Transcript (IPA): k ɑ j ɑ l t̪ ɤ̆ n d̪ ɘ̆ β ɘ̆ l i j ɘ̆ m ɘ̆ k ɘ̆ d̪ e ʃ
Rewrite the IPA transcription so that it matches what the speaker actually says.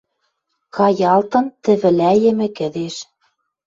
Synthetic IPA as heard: k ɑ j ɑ l t̪ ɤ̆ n t̪ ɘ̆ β ɘ̆ l æ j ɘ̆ m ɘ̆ k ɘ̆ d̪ e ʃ